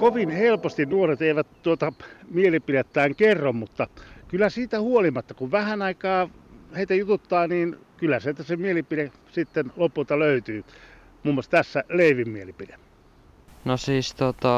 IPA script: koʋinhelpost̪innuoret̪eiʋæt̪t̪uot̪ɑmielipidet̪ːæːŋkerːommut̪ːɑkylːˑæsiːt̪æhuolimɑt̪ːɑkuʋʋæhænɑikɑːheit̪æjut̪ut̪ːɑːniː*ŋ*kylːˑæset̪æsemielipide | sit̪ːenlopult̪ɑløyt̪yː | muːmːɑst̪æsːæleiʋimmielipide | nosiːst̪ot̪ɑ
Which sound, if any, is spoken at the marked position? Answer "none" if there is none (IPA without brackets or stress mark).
n